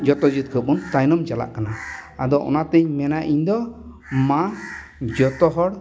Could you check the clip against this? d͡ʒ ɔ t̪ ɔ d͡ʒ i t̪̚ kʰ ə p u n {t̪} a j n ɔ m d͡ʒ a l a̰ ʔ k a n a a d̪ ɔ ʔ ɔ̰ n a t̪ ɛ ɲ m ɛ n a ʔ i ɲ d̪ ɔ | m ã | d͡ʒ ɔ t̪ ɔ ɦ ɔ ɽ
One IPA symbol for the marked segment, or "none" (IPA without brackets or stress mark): t̪